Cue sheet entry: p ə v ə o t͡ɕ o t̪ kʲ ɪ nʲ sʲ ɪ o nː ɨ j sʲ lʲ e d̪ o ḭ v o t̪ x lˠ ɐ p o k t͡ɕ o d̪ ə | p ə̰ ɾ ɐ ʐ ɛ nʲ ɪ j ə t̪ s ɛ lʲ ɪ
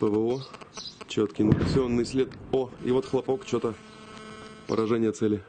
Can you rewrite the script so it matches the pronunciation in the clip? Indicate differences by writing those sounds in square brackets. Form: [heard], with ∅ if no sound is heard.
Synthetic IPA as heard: p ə v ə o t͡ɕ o t̪ kʲ ɪ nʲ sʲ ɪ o nː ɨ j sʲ lʲ e [t̪] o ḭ v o t̪ x lˠ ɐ p o k t͡ɕ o [t̪] ə | p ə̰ ɾ ɐ ʐ ɛ nʲ ɪ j ə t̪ s ɛ lʲ ɪ